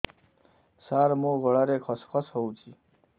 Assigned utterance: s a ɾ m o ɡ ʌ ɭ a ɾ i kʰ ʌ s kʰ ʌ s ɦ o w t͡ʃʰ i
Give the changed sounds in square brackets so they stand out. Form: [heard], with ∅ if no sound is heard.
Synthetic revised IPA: s a ɾ m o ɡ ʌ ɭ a ɾ [e] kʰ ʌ s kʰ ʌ s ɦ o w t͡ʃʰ i